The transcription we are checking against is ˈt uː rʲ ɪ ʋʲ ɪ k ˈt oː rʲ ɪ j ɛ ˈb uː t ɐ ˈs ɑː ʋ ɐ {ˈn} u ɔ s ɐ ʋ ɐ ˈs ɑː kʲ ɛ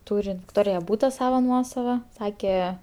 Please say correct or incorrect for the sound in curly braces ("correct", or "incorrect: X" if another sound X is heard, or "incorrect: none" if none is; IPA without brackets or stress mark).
correct